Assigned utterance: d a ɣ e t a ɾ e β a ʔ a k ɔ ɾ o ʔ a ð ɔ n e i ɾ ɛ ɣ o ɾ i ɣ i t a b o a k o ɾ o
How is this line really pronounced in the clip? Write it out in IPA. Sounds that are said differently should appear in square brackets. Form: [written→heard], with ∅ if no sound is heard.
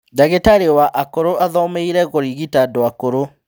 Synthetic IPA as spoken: d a ɣ e t a ɾ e [β→w] a ʔ a k [ɔ→o] ɾ o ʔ a ð ɔ [n→m] e i ɾ ɛ ɣ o ɾ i ɣ i t a [b→d] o a k o ɾ o